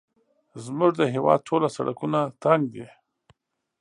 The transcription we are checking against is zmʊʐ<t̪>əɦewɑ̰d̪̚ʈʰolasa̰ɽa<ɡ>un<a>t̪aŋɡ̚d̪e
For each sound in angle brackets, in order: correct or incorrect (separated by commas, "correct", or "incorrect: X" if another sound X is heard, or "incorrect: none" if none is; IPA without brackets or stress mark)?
incorrect: d̪, incorrect: k, correct